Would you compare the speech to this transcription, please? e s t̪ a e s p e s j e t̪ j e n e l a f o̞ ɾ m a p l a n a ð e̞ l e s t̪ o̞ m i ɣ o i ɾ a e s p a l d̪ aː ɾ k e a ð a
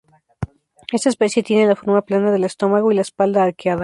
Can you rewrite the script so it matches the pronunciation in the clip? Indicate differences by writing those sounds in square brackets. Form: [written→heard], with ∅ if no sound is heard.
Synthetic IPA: e s t̪ a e s p e s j e t̪ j e n e l a f o̞ ɾ m a p l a n a ð e̞ l e s t̪ o̞ m [i→a] ɣ o i [ɾ→l] a e s p a l d̪ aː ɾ k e a ð a